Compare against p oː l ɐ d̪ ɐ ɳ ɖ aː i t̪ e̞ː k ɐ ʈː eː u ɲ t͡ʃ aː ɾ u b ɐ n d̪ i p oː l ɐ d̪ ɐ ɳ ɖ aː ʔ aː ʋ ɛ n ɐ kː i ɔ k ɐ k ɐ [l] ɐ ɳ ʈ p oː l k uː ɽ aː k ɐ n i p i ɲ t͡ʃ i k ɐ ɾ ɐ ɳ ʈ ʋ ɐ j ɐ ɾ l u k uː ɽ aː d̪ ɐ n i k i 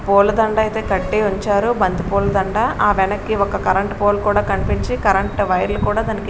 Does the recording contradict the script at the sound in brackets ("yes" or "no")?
yes